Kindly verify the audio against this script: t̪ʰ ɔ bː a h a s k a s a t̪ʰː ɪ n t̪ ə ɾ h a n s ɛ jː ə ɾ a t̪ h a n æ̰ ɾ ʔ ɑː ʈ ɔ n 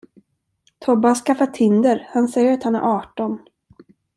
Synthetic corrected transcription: t̪ʰ ɔ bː a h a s k a f a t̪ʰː ɪ n d̪ ə ɾ h a n s ɛ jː ə ɾ a t̪ h a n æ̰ ɾ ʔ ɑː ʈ ɔ n